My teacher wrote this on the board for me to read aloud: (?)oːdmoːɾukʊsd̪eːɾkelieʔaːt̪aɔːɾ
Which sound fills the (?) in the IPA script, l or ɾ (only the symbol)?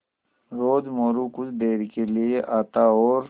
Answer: ɾ